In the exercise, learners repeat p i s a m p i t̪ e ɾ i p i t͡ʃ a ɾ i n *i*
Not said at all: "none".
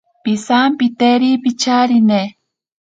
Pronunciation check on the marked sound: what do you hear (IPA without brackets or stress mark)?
e